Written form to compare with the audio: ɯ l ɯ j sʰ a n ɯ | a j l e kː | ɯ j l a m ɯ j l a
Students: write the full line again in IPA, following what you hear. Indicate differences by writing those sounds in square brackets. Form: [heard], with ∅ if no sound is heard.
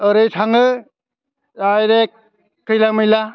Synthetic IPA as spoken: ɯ [ɾ] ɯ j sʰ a [ŋ] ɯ | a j [ɾ] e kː | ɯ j l a m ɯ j l a